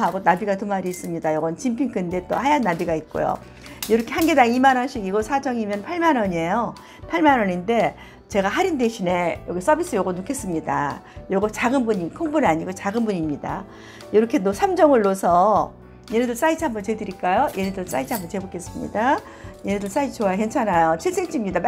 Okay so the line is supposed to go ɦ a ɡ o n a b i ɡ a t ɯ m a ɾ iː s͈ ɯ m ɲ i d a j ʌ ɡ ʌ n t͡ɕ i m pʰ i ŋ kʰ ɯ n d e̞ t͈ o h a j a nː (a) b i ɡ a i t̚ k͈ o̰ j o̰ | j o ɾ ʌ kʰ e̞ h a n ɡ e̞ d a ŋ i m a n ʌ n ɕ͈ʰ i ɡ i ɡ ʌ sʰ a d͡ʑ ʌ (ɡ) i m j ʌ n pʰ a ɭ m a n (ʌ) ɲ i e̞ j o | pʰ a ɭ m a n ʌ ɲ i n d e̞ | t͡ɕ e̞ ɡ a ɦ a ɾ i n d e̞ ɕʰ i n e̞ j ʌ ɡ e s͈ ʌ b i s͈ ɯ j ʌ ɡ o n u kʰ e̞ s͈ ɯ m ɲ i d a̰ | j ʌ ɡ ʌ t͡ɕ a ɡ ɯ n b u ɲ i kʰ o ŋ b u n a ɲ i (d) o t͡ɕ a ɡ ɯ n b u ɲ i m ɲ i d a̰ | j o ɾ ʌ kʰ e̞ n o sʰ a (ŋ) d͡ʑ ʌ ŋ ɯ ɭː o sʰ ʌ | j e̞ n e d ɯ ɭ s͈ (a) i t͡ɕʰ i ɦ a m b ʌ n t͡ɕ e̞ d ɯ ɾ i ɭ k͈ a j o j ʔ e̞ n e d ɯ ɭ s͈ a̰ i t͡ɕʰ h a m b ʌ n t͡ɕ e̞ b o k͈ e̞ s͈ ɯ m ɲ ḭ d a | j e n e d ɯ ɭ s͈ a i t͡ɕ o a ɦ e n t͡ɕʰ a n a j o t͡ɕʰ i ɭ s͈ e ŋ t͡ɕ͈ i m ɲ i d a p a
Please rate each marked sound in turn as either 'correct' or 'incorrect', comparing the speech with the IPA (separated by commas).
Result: correct, incorrect, correct, incorrect, incorrect, correct